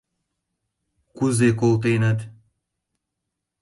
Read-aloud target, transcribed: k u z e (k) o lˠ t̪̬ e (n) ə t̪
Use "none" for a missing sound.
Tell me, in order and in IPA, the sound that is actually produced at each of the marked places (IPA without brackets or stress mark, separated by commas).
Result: k, n